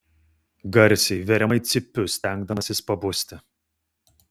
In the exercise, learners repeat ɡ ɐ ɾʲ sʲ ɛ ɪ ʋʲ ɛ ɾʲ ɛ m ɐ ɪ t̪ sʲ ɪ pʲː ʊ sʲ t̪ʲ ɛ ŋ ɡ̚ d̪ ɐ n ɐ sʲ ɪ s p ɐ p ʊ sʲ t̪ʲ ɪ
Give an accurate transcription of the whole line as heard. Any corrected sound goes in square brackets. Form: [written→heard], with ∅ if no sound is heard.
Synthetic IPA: ɡ ɐ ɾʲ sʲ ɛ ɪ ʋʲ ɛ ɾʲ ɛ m ɐ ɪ t̪ sʲ ɪ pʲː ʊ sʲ t̪ʲ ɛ ŋ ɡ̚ d̪ ɐ [n→m] ɐ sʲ ɪ s p ɐ [p→b] ʊ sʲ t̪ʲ ɪ